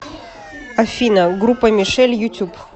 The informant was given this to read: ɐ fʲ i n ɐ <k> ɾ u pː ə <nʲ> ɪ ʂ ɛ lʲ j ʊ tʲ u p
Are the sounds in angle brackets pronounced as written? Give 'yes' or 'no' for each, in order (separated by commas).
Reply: no, no